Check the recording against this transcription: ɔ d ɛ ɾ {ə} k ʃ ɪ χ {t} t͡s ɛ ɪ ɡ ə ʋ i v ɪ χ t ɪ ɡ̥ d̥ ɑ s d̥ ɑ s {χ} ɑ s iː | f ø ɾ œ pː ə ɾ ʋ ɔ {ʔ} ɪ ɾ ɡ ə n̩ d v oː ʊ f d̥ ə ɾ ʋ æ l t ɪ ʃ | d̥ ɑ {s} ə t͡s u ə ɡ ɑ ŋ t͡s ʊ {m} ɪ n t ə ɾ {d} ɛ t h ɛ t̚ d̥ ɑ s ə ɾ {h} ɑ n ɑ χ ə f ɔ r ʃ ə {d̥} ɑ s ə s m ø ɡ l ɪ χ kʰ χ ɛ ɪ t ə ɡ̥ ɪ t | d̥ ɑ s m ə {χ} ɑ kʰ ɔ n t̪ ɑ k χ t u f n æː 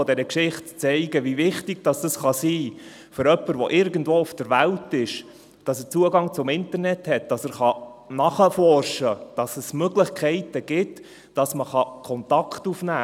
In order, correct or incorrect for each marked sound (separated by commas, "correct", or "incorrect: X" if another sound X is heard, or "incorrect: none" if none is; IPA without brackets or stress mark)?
correct, correct, correct, correct, correct, correct, incorrect: n, incorrect: χ, correct, correct